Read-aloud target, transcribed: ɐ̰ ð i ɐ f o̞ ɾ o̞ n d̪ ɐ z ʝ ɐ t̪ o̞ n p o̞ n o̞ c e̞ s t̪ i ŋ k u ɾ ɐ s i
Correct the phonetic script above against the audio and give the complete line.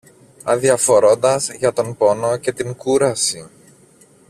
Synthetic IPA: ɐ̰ ð i ɐ f o̞ ɾ o̞ n d̪ ɐ z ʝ ɐ t̪ o̞ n p o̞ n o̞ c e̞ t̪ i ŋ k u ɾ ɐ s i